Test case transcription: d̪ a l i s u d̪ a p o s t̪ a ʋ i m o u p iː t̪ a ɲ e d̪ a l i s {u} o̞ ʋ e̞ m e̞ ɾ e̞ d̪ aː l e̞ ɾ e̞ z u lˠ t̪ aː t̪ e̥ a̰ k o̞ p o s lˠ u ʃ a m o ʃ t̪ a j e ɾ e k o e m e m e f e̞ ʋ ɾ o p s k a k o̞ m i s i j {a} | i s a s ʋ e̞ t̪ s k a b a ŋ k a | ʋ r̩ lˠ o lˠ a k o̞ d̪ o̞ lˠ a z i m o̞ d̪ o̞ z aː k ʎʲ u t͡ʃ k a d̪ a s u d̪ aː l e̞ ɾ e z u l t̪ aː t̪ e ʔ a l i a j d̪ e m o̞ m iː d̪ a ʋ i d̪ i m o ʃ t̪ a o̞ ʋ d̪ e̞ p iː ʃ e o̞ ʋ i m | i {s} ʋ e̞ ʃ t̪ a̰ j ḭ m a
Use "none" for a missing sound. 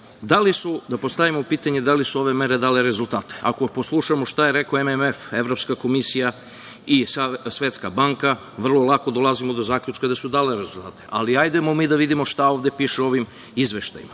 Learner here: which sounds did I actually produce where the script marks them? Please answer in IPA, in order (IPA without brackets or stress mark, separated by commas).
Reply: u, a, z